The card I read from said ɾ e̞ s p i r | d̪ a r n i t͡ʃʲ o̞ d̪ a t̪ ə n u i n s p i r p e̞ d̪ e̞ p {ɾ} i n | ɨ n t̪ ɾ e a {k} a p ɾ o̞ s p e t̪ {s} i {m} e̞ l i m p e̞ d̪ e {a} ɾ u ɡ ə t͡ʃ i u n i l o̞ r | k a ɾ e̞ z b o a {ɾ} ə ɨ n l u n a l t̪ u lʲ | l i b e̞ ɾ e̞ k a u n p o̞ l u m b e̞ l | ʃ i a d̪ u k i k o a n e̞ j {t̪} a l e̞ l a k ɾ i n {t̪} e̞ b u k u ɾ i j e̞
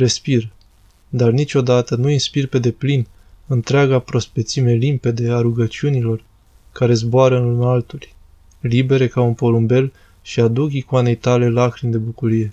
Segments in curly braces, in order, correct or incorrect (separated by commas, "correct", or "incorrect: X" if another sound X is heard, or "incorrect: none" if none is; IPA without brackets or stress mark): incorrect: l, incorrect: ɡ, correct, correct, correct, correct, correct, incorrect: d̪